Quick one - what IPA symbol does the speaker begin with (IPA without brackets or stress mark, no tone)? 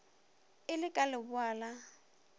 ɪ